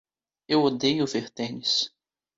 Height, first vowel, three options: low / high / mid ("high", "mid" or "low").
mid